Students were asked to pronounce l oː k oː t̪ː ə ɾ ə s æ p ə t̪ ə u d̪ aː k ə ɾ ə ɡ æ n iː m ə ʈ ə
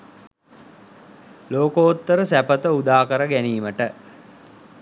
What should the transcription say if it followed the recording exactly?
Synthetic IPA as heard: l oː k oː t̪ː ə ɾ ə s æ p ə t̪ ə u d̪ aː k ə ɾ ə ɡ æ n iː m ə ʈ ə